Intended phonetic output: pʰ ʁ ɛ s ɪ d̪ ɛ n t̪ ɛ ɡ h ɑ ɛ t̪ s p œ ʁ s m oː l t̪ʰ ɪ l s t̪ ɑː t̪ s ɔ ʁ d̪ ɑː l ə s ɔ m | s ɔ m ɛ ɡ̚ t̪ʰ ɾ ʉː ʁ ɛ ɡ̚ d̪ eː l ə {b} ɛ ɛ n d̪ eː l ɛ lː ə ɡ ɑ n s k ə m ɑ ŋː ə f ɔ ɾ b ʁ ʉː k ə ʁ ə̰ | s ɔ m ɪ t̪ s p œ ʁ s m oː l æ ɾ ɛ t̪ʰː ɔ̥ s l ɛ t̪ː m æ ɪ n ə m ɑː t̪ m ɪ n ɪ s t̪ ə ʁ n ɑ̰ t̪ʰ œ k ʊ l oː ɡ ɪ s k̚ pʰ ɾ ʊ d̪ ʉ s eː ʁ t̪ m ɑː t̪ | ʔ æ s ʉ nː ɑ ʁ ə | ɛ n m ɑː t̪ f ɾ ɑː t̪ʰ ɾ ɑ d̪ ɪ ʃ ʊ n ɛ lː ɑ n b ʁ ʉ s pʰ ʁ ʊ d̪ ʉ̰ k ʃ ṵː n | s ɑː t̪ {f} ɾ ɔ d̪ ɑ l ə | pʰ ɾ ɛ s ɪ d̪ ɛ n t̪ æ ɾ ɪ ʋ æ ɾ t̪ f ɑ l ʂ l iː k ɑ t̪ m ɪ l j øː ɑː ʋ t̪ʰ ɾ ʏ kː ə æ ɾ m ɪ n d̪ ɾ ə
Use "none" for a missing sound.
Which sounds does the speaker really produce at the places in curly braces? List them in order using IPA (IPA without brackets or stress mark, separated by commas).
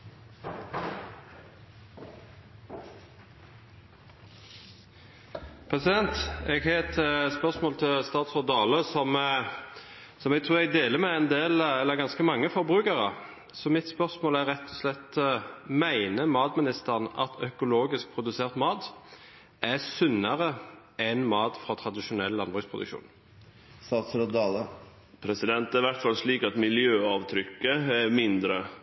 m, s